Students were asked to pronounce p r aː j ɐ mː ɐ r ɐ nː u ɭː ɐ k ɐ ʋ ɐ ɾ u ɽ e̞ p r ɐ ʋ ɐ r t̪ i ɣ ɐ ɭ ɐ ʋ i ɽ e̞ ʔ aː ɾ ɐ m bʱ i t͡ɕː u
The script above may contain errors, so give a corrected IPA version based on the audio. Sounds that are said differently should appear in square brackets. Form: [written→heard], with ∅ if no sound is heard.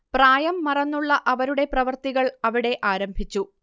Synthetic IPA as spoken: p r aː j ɐ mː ɐ r ɐ nː u ɭː ɐ [k→ʔ] ɐ ʋ ɐ ɾ u ɽ e̞ p r ɐ ʋ ɐ r t̪ i ɣ ɐ ɭ ɐ ʋ i ɽ e̞ ʔ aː ɾ ɐ m bʱ i t͡ɕː u